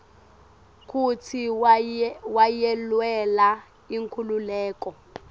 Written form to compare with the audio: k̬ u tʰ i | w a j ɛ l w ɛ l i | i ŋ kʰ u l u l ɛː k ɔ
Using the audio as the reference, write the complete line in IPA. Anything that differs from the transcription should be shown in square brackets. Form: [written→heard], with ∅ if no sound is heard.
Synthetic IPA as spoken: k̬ u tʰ i | w a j ɛ l w ɛ l [i→a] | i ŋ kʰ u l u l ɛː k ɔ